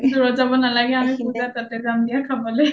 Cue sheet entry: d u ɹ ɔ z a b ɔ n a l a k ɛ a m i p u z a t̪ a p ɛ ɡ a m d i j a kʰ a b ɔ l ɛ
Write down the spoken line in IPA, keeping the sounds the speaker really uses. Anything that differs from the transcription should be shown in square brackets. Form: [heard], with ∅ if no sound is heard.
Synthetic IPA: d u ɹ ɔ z a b ɔ n a l a [ɡ] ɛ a m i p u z a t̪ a [t] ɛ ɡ a m d i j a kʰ a b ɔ l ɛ